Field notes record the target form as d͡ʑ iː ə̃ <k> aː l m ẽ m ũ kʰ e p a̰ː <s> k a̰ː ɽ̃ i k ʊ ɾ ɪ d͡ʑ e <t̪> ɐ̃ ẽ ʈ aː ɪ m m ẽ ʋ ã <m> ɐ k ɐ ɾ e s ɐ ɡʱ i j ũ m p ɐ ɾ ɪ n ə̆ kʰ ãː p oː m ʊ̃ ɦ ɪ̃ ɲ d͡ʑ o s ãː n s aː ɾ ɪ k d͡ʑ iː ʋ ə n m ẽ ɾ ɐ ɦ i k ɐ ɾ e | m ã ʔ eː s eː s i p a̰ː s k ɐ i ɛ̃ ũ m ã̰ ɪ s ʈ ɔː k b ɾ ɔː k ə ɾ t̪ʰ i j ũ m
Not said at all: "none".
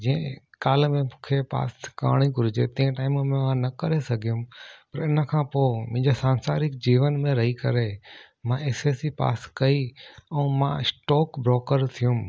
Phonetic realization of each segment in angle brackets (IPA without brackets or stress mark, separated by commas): k, s, t̪, n